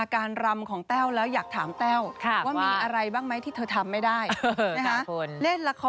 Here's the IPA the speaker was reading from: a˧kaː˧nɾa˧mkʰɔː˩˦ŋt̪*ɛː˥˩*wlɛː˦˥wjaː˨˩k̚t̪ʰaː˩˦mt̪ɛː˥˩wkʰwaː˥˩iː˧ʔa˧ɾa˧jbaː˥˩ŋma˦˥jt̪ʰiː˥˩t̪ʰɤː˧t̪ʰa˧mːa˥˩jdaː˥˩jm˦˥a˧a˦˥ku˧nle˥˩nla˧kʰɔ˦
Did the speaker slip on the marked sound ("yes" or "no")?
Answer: no